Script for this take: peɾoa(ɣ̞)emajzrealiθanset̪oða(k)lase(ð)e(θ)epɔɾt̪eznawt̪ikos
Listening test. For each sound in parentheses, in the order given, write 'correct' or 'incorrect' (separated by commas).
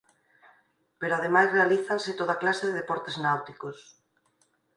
incorrect, correct, correct, incorrect